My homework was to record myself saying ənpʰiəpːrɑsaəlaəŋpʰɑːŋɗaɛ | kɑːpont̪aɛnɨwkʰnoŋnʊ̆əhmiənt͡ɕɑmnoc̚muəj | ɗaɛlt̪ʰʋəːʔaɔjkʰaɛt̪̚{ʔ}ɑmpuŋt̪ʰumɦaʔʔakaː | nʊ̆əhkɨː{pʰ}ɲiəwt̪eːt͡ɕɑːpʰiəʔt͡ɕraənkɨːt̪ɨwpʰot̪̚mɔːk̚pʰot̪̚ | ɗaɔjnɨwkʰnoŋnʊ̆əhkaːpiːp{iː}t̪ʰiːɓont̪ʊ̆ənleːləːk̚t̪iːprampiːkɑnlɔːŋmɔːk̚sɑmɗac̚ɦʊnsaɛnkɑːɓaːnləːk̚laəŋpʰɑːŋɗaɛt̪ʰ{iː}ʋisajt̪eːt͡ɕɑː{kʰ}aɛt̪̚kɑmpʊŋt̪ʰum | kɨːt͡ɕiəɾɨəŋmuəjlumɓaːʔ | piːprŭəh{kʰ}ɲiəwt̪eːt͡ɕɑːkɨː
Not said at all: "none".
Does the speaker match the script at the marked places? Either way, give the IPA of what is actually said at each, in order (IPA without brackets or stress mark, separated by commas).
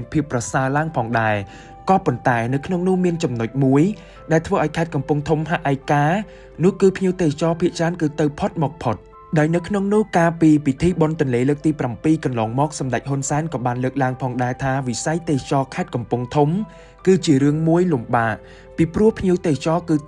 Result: k, pʰ, i, aː, kʰ, pʰ